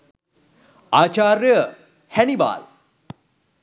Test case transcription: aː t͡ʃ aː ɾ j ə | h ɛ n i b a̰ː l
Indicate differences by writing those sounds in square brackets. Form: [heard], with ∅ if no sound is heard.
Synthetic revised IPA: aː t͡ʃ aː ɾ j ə | h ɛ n i b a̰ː l